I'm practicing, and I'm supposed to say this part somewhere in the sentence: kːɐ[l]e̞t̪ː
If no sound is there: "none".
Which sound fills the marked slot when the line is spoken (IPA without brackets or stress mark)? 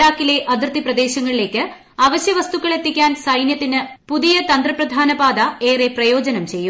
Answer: ɭ